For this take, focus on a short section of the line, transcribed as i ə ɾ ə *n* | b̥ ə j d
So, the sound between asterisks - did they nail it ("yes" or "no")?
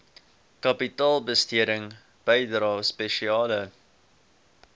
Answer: no